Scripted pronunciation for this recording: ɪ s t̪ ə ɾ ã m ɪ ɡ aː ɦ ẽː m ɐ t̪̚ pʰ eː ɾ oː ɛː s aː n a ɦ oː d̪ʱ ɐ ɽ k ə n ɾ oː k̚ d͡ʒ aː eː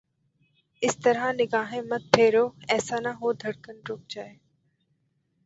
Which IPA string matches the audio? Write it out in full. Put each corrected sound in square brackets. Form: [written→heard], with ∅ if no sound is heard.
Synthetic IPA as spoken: ɪ s t̪ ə ɾ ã [m→n] ɪ ɡ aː ɦ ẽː m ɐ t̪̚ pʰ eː ɾ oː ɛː s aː n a ɦ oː d̪ʱ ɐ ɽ k ə n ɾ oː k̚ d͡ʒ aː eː